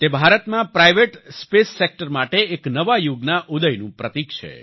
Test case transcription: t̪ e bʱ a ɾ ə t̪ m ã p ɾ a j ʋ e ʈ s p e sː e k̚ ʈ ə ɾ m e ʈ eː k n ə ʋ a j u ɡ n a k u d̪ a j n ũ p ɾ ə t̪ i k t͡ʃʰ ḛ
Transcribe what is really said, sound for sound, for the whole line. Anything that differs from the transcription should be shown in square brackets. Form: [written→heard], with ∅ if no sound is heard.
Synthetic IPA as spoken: t̪ e bʱ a ɾ ə t̪ m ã p ɾ a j ʋ e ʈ s p e sː e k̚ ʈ ə ɾ m [e→a] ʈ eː k n ə ʋ a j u ɡ n a [k→ʔ] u d̪ [a→ə] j n ũ p ɾ ə t̪ i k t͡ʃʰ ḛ